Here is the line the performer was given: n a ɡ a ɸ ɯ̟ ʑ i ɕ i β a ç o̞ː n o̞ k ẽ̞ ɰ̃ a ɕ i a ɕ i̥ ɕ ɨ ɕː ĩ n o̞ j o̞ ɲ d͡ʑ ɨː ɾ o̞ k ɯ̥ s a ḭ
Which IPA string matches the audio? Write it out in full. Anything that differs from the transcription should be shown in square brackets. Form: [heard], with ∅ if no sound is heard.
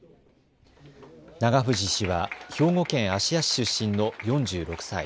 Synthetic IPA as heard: n a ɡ a ɸ ɯ̟ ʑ i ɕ i β a ç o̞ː [ŋ] o̞ k ẽ̞ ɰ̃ a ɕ i a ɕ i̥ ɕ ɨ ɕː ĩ n o̞ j [õ̞] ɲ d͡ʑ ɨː ɾ o̞ k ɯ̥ s a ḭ